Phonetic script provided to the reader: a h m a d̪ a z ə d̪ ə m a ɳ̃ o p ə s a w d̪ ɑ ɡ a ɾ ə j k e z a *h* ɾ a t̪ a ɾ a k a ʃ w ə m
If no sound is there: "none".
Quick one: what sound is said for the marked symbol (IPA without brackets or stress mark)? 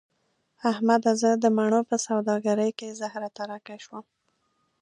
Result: h